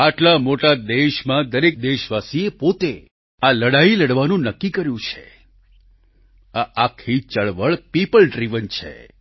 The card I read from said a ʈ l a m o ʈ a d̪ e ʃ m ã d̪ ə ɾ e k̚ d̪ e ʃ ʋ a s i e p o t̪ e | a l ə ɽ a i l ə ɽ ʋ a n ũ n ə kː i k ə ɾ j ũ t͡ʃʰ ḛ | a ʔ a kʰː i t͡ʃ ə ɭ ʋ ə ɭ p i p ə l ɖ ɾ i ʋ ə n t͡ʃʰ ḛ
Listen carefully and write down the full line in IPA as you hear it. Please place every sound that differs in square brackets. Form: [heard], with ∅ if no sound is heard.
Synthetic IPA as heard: a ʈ l a m o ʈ a d̪ e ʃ m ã d̪ ə ɾ e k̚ d̪ e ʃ ʋ a s i e p o t̪ e | a l ə ɽ a i l ə ɽ ʋ a n ũ n ə kː i k ə ɾ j ũ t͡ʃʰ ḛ | a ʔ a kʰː i t͡ʃ ə ɭ ʋ ə ɭ p i p ə l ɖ ɾ i ʋ ə n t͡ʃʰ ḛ